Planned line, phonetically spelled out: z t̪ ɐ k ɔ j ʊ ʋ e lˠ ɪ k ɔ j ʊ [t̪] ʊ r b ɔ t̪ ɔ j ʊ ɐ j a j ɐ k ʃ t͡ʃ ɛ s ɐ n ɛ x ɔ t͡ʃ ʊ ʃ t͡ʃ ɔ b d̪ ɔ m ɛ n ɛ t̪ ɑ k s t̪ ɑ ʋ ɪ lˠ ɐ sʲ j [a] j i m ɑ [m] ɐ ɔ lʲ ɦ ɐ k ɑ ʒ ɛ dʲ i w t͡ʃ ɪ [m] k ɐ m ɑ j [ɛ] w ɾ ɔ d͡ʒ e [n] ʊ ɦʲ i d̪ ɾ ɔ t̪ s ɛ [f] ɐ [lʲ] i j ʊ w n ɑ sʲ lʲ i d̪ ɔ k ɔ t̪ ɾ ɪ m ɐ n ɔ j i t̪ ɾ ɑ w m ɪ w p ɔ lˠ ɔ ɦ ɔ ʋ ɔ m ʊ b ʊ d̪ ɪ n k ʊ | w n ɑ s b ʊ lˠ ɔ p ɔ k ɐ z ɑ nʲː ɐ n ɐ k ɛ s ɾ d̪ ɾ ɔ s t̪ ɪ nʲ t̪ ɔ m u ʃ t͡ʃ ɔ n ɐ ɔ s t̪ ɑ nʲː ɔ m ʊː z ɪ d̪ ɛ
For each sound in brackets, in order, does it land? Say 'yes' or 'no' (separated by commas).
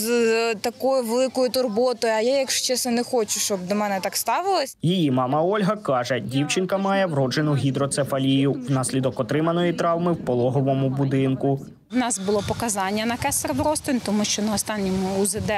yes, no, yes, no, yes, yes, yes, yes